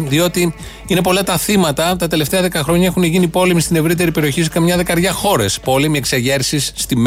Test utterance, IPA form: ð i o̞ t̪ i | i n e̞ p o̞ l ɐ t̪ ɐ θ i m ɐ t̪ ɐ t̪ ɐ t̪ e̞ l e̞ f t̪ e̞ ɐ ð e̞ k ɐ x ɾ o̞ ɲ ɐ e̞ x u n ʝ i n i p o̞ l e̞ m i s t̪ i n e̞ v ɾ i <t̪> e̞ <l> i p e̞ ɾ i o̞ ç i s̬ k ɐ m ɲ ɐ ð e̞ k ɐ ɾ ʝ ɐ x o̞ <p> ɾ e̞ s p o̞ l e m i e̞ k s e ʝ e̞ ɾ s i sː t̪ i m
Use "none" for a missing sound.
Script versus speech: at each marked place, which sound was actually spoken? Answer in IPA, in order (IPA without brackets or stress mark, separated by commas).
t̪, ɾ, none